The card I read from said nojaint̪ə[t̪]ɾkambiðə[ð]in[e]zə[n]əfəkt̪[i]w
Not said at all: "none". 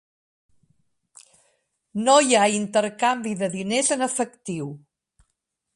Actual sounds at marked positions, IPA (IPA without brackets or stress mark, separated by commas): none, ð, e, n, i